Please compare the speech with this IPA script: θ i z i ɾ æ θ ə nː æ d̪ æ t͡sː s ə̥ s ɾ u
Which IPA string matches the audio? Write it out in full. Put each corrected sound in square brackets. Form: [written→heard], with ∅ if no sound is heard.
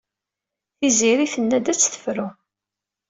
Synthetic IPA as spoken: θ i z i ɾ [æ→i] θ ə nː æ d̪ æ t͡sː [s→θ] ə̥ [s→f] ɾ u